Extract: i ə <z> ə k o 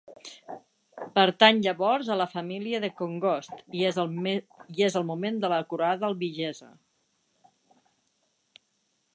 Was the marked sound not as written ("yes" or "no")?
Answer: yes